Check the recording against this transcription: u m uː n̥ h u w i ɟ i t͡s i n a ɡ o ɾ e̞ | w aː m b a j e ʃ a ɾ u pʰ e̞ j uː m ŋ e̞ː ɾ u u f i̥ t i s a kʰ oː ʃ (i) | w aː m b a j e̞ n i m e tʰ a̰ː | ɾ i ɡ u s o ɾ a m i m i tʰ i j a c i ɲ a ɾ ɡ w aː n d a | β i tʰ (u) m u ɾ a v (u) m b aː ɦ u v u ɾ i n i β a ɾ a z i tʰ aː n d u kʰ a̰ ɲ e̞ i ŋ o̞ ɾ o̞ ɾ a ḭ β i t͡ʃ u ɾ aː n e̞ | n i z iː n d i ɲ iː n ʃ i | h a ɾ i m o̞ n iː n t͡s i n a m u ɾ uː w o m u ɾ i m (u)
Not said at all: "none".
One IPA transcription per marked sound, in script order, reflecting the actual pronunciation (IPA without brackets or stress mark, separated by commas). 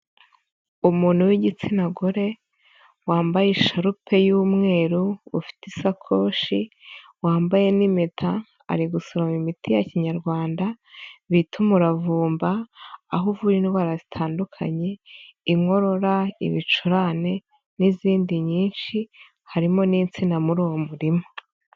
i, u, uː, o